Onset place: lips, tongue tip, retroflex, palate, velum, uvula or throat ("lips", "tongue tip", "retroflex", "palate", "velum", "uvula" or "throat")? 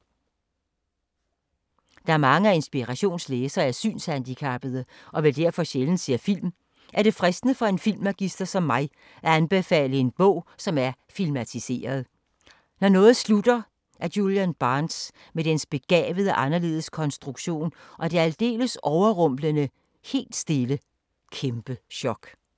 tongue tip